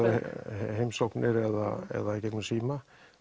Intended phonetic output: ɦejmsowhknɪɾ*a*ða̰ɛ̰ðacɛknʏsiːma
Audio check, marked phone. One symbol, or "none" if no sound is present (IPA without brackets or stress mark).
ɛ